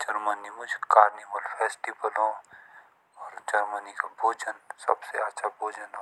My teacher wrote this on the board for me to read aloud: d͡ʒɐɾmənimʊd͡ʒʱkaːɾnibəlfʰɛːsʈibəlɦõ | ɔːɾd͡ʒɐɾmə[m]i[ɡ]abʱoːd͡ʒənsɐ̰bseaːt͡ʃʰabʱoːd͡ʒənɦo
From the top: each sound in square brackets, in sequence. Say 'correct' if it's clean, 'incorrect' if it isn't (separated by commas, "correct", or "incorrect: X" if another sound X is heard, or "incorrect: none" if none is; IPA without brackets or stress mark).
incorrect: n, incorrect: k